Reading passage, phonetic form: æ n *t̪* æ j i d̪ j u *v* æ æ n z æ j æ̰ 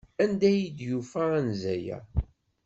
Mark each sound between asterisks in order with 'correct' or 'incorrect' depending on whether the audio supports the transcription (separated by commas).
incorrect, incorrect